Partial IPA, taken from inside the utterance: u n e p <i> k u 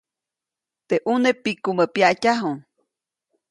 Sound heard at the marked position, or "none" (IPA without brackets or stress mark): i